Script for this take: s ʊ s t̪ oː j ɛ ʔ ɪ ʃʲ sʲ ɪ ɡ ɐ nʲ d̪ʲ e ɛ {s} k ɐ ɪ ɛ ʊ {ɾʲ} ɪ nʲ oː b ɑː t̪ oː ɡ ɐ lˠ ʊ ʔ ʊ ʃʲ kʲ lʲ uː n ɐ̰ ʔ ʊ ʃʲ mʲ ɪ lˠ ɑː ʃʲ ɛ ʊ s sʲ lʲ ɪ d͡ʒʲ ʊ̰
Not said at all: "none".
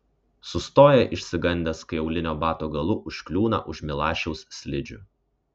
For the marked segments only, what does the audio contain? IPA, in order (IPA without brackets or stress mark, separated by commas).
s, lʲ